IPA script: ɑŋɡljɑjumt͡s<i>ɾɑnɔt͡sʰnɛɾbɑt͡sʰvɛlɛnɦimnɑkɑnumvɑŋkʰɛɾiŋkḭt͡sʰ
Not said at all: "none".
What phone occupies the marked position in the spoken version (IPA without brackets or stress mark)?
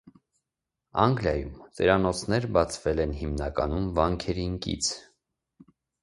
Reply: ɛ